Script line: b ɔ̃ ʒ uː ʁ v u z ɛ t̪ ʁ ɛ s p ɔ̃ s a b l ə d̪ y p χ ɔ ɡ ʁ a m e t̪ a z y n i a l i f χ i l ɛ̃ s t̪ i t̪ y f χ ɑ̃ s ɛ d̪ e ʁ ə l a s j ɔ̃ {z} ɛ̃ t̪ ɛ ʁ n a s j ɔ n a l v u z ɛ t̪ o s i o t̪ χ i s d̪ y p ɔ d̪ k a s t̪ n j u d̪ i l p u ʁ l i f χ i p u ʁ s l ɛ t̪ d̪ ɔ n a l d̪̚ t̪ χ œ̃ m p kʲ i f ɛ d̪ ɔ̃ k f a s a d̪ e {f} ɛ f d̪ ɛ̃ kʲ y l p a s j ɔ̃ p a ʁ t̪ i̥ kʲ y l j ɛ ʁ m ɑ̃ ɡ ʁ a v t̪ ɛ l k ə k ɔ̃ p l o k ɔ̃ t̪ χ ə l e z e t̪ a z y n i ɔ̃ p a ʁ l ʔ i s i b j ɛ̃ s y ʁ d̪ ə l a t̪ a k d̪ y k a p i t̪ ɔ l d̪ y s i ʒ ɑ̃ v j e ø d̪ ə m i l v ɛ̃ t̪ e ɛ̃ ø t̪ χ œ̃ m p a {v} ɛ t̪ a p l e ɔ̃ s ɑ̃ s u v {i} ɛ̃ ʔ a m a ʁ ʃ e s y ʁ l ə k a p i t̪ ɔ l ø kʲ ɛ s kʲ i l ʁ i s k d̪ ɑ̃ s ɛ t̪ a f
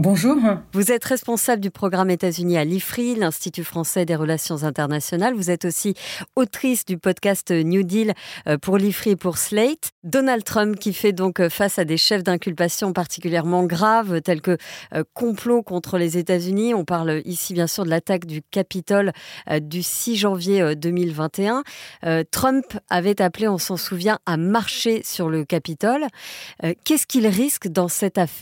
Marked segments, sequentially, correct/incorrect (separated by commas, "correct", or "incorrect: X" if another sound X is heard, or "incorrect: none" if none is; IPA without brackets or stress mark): correct, incorrect: ʃ, correct, incorrect: j